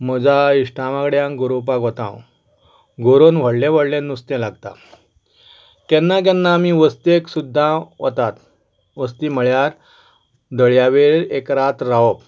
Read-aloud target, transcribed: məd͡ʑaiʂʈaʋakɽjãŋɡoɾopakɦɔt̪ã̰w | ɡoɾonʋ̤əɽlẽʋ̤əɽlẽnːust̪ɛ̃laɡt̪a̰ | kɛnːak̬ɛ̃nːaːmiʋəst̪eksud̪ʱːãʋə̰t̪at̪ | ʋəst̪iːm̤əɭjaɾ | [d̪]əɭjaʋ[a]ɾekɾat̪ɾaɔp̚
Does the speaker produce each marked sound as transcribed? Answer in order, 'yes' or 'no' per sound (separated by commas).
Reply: yes, no